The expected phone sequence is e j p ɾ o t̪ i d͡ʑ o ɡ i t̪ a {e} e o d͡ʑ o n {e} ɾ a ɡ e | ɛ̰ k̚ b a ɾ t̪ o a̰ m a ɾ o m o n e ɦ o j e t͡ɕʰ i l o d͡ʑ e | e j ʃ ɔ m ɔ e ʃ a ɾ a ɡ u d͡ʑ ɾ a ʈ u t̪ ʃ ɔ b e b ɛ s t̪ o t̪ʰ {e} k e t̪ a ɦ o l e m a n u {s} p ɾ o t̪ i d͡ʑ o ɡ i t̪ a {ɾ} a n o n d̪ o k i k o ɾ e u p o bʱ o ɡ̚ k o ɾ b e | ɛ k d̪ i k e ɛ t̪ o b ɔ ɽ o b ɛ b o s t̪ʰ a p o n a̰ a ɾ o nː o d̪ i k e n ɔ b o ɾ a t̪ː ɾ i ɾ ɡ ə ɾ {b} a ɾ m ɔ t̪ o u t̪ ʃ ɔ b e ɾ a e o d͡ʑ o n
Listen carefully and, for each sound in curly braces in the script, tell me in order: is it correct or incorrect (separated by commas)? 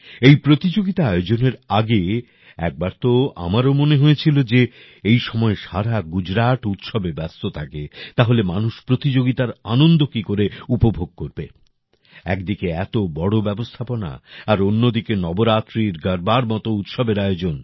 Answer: incorrect, correct, incorrect, incorrect, correct, correct